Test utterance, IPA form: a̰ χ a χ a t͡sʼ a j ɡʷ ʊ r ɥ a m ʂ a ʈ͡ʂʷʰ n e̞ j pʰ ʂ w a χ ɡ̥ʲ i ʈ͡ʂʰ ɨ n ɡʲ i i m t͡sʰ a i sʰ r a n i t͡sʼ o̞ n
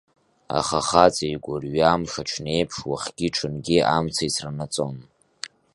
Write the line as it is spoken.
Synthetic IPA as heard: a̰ χ a χ a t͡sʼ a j ɡʷ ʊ r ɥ a m ʂ a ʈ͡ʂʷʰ n e̞ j pʰ ʂ w a χ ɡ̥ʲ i ʈ͡ʂʰ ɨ n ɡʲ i a m t͡sʰ a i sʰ r a n a t͡sʼ o̞ n